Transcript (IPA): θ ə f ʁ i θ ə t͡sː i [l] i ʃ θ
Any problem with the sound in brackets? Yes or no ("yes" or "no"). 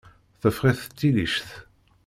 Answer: no